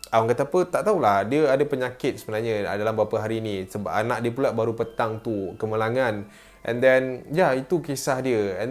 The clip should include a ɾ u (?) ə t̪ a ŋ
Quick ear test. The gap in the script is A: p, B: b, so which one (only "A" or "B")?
A